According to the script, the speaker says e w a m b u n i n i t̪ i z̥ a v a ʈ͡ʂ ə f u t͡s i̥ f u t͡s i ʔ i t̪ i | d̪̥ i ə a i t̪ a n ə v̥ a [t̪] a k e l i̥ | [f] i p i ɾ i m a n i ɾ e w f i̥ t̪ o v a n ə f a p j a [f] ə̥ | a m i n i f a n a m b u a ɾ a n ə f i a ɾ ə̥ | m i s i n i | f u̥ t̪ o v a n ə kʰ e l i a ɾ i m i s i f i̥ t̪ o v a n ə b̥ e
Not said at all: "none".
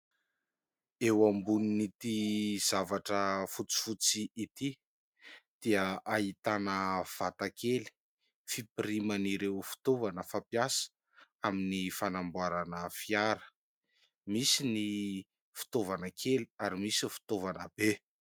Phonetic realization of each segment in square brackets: t̪, f, s

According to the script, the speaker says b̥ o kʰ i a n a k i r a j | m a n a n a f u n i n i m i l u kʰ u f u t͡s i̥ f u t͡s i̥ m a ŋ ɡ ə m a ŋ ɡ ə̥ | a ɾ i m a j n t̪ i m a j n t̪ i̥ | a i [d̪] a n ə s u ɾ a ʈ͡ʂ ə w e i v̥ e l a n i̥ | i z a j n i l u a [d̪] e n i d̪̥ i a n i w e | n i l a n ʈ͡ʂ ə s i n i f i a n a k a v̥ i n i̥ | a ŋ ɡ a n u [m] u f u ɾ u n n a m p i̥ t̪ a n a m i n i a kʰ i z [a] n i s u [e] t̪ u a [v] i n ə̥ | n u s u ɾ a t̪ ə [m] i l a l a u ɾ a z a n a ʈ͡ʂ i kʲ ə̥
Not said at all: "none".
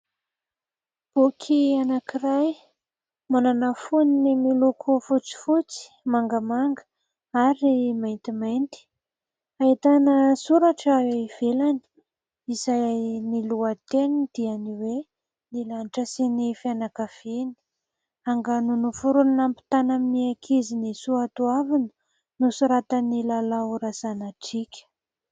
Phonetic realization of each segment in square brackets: t̪, t̪, n, i, a, v, n

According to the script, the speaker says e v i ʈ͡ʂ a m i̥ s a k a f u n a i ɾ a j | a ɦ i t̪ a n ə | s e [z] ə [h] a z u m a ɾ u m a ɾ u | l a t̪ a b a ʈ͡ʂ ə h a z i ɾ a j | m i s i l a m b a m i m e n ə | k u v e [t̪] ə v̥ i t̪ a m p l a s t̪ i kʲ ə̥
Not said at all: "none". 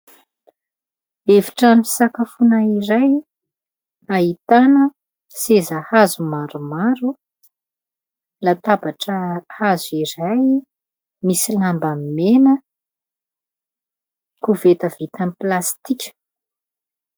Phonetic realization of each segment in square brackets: z, h, t̪

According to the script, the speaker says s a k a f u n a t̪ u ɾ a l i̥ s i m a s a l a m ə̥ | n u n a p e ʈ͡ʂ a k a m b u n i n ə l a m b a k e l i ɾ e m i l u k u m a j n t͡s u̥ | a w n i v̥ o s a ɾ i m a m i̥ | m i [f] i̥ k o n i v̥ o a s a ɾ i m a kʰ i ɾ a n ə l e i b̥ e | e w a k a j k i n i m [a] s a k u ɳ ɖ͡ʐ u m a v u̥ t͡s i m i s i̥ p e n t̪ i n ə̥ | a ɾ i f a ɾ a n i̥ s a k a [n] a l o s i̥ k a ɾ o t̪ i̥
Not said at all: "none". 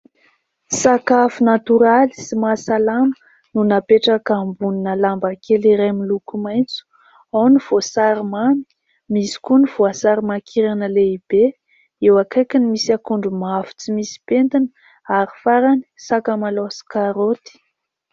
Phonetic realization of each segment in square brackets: s, i, m

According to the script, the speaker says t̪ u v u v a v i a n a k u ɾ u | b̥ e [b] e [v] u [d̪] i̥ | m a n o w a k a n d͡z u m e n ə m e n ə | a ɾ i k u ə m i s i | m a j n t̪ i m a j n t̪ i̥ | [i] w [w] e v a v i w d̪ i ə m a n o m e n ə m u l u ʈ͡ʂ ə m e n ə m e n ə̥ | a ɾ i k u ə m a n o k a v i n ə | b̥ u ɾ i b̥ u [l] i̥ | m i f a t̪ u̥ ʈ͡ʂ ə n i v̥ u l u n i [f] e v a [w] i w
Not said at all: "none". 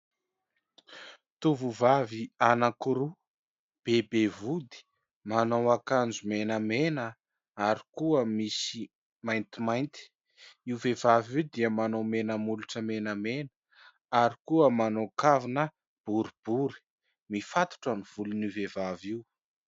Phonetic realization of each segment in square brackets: b, v, d̪, i, v, ɾ, v, v

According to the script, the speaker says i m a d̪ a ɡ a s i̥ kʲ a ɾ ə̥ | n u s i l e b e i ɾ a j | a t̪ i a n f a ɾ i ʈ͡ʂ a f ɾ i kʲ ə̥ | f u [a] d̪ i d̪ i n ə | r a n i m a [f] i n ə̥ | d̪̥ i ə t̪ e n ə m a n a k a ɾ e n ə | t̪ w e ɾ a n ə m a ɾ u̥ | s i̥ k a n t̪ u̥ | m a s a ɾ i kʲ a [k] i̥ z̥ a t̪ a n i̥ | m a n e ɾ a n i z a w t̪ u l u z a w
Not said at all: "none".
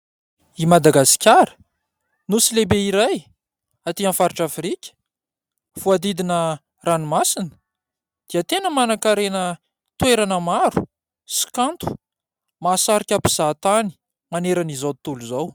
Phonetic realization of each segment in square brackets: a, s, p

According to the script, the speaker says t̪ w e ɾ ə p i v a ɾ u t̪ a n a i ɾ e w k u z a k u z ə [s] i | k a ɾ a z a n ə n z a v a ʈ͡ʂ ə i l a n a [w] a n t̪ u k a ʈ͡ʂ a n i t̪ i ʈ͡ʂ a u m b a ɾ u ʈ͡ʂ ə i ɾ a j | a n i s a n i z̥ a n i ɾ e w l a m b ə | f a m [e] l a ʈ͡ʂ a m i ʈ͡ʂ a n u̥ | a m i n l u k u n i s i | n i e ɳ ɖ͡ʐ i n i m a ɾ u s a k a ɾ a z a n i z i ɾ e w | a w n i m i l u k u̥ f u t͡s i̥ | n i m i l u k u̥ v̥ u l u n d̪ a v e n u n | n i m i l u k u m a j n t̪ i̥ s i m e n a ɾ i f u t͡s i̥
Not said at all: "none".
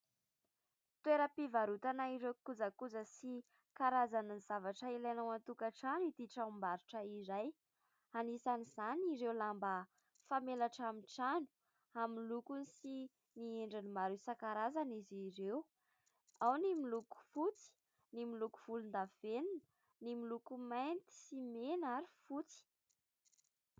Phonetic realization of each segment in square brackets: s, w, e

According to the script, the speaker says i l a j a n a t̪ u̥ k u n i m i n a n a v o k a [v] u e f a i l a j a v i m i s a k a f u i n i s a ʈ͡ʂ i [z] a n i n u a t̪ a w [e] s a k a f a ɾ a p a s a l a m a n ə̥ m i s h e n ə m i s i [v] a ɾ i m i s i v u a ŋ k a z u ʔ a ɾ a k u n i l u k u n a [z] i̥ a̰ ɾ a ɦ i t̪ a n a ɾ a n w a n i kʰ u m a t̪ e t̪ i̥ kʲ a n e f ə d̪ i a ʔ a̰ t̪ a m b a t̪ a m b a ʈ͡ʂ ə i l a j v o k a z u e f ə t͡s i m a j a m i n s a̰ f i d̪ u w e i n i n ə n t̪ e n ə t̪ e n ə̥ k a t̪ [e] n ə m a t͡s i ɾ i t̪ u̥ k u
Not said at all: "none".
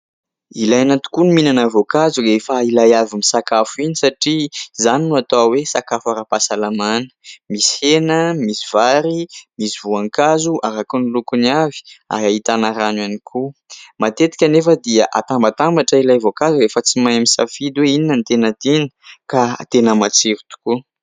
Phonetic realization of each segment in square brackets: z, z, e, v, v, e

